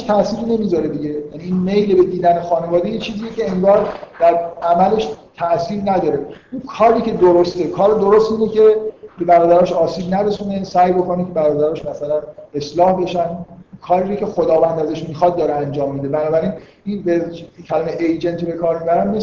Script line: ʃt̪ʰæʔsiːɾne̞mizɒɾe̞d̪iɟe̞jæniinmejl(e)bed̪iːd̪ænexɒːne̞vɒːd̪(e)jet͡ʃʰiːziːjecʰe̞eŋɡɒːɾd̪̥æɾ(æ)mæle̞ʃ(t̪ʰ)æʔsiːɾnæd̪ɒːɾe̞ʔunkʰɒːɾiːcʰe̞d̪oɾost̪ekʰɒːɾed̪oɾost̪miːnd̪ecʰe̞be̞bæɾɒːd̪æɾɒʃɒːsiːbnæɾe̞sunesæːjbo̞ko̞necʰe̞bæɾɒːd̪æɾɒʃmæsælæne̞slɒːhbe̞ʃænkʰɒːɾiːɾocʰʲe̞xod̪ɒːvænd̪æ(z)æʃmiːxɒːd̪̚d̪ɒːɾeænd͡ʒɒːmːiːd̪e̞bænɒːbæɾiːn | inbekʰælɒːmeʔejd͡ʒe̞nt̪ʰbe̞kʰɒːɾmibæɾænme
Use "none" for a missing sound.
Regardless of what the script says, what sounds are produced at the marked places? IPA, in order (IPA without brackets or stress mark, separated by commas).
e, e, æ, t̪ʰ, z